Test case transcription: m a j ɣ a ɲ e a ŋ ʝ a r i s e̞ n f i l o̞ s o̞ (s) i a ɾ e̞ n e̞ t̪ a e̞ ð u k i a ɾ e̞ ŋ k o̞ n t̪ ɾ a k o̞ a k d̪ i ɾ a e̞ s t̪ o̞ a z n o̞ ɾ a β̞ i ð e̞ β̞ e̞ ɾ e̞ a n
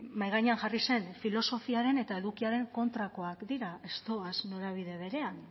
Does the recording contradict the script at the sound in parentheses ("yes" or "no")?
yes